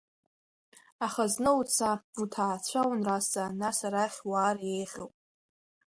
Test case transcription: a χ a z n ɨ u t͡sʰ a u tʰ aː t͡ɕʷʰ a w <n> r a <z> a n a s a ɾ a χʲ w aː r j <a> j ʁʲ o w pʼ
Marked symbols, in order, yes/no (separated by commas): yes, no, no